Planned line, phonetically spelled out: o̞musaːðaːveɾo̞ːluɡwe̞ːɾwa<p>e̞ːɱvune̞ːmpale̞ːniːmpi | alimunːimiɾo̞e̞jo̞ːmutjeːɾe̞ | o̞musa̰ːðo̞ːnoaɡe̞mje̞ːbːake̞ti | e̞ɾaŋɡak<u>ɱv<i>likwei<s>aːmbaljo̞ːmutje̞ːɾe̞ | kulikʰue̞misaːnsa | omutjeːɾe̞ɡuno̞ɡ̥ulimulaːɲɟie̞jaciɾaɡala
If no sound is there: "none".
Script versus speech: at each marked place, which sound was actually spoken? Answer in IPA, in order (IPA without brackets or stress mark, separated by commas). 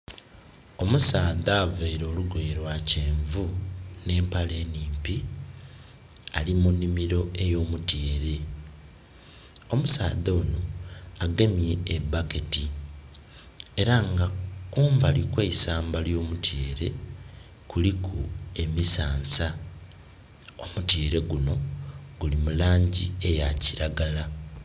c, uː, a, s